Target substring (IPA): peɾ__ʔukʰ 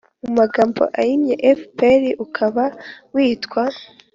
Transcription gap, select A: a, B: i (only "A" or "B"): B